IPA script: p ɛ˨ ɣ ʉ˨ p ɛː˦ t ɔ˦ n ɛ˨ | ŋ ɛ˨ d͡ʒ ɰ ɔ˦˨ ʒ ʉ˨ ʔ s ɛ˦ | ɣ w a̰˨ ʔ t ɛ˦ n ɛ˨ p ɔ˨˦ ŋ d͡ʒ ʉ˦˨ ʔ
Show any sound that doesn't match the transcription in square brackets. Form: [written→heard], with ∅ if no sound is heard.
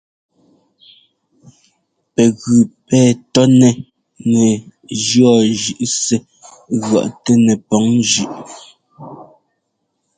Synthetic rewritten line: p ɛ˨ ɣ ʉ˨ p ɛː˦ t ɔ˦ n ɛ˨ | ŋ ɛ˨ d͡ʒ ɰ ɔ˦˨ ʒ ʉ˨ ʔ s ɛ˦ | ɣ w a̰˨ ʔ t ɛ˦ n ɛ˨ p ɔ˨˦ ŋ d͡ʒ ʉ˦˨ ʔ